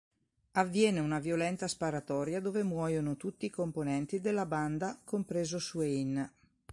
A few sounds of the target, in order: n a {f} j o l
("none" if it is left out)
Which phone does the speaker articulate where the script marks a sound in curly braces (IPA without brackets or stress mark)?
v